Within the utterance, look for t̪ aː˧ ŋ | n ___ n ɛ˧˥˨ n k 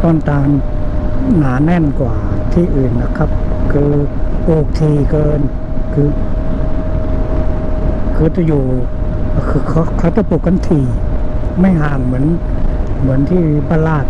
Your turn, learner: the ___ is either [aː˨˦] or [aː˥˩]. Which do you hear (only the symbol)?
aː˨˦